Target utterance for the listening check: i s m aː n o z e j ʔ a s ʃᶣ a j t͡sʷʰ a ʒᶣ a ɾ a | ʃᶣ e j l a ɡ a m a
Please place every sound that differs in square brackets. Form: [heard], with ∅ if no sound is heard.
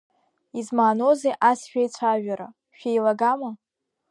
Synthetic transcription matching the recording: i [z] m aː n o z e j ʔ a s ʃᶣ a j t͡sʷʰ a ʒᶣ a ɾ a | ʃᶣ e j l a ɡ a m a